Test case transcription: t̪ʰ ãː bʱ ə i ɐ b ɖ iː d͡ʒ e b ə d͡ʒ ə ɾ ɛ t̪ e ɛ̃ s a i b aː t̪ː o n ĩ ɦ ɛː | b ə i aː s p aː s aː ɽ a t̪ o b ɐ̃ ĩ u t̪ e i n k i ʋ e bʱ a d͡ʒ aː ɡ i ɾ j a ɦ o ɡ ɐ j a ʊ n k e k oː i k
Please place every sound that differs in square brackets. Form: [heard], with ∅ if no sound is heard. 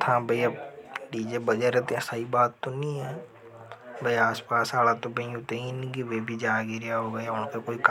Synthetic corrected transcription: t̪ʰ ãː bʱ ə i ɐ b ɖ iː d͡ʒ e b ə d͡ʒ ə ɾ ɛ t̪ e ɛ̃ s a i b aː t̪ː o n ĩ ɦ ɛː | b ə i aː s p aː s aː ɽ a t̪ o b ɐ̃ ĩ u t̪ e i n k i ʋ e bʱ [i] d͡ʒ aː ɡ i ɾ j a ɦ o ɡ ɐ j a ʊ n k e k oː i k